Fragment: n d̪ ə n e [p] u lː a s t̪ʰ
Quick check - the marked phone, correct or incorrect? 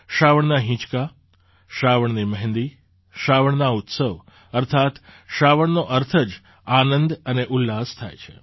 incorrect